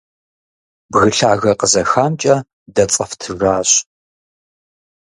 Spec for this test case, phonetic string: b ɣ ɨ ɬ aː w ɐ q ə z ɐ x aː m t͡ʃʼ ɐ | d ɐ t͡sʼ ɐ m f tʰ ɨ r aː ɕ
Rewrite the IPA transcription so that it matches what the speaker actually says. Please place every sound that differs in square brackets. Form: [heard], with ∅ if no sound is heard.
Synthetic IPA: b ɣ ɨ ɬ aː [ɣ] ɐ q ə z ɐ x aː m t͡ʃʼ ɐ | d ɐ t͡sʼ ɐ [∅] f tʰ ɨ r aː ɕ